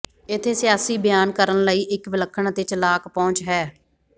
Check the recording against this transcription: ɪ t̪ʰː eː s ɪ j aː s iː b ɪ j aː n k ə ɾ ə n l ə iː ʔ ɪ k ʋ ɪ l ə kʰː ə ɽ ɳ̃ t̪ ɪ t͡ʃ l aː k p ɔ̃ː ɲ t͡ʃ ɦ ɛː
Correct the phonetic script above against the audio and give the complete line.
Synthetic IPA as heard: ɪ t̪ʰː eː s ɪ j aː s iː b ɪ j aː n k ə ɾ ə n l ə iː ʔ ɪ k ʋ ɪ l ə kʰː ə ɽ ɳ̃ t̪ ɪ t͡ʃ l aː k p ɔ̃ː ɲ t͡ʃ ɦ ɛː